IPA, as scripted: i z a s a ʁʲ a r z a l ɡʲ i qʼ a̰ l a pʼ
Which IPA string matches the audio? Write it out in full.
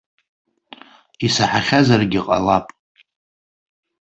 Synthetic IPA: i s a ħ a χʲ a z a r ɡʲ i qʼ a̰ l a pʼ